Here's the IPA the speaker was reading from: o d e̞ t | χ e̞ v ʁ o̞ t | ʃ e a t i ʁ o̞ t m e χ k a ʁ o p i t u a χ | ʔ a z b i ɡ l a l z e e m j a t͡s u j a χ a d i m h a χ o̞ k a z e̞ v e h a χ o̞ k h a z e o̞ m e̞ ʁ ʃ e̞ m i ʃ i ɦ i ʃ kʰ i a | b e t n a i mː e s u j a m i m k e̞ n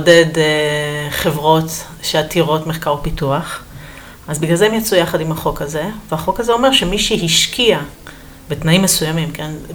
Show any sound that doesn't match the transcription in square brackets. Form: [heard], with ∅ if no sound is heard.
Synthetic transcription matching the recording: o d e̞ [d] | χ e̞ v ʁ o̞ t | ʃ e a t i ʁ o̞ t m e χ k a ʁ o p i t u a χ | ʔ a z b i ɡ l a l z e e m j a t͡s u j a χ a d i m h a χ o̞ k a z e̞ v e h a χ o̞ k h a z e o̞ m e̞ ʁ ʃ e̞ m i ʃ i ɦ i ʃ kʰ i a | b e t n a i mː e s u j a m i m k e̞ n